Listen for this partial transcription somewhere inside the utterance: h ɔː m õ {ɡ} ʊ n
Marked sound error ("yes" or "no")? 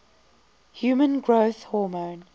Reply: yes